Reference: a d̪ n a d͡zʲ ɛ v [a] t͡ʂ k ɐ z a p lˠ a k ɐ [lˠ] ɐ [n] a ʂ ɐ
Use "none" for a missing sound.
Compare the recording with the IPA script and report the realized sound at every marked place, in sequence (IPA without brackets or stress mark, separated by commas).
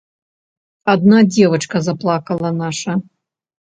ɐ, lˠ, n